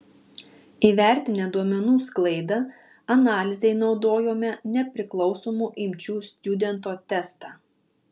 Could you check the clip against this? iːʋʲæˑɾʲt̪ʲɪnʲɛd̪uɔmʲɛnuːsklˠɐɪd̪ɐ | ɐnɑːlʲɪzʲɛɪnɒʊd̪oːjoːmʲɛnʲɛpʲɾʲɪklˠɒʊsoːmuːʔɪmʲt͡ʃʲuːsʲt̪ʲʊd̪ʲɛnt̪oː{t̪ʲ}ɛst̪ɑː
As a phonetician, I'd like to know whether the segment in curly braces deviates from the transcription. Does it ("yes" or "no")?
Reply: no